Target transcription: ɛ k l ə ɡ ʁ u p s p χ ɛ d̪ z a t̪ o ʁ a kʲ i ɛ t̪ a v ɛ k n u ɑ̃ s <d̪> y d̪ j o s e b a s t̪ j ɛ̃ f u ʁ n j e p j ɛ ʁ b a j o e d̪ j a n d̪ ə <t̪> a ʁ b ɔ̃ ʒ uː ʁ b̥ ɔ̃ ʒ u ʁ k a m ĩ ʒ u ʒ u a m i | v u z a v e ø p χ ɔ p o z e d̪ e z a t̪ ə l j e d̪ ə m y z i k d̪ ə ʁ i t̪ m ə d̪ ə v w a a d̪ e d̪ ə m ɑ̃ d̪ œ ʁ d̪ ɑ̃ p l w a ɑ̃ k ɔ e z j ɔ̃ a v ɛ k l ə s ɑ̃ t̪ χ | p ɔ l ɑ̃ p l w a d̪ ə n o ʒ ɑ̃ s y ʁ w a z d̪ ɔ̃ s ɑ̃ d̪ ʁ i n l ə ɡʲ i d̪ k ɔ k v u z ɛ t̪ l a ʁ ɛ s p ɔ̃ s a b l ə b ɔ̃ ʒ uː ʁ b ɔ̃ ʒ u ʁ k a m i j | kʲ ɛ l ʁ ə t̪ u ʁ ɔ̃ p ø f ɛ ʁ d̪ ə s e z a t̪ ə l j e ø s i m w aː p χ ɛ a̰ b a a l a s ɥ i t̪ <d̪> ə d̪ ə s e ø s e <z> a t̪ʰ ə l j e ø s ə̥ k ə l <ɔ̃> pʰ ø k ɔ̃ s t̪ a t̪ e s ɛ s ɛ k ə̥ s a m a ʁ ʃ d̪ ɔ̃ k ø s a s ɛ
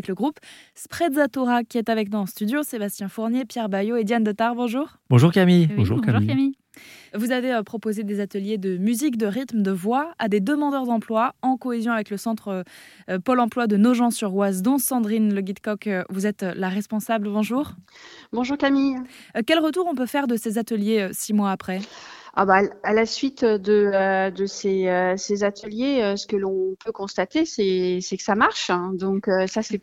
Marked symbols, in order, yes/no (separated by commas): no, yes, yes, yes, yes